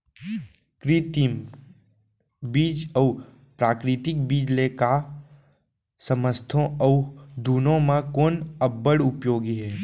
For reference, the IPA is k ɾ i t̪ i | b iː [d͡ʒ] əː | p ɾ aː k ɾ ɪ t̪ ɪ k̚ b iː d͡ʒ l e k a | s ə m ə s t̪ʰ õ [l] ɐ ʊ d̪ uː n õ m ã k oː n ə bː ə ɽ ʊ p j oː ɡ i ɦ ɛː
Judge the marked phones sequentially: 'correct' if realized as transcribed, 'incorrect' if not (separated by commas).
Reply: correct, incorrect